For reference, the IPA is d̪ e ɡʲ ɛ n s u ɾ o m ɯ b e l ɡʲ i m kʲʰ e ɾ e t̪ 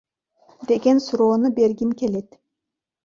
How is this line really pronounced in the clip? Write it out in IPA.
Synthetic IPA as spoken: d̪ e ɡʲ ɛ n s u ɾ o n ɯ b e ɾ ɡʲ i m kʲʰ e l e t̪